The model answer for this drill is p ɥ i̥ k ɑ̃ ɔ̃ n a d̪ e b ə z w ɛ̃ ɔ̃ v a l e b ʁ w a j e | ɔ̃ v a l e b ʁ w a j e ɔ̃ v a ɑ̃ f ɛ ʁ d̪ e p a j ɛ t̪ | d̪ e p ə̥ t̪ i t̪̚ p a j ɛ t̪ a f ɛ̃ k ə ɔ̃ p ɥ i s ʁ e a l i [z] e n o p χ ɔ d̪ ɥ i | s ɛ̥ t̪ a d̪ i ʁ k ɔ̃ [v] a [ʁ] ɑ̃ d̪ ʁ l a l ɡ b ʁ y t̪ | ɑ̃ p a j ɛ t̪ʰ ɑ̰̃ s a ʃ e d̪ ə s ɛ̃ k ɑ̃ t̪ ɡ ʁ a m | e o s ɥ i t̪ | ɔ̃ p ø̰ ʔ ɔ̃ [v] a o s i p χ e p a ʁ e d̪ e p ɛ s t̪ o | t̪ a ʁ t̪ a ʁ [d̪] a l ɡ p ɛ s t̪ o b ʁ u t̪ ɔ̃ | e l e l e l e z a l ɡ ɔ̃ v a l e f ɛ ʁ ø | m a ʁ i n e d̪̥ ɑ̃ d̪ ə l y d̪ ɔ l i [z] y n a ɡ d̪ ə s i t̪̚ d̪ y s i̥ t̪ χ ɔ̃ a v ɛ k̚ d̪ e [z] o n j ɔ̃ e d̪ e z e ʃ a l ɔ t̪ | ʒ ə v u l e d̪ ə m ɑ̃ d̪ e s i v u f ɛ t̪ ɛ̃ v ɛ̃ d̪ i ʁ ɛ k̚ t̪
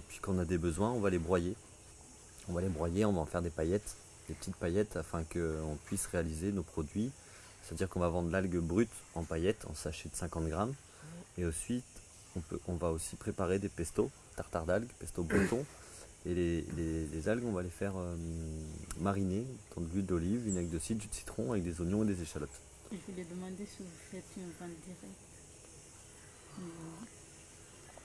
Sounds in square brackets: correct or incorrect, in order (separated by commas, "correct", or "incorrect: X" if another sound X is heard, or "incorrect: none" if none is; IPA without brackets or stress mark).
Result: correct, correct, incorrect: v, correct, correct, incorrect: v, correct